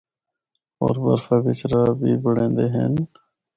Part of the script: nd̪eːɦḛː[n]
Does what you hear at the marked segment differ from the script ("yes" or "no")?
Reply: no